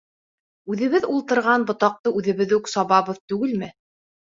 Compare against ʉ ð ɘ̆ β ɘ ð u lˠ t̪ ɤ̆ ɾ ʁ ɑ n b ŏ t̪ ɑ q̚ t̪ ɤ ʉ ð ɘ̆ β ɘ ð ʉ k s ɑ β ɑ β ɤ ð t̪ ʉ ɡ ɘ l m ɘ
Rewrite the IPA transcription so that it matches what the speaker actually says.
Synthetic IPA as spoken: ʉ ð ɘ̆ β ɘ ð u lˠ t̪ ɤ̆ ɾ ʁ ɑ n b ŏ t̪ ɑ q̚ t̪ ɤ ʉ ð ɘ̆ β ɘ ð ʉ k s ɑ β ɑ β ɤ ð t̪ ʉ ɡ ɘ l m ɘ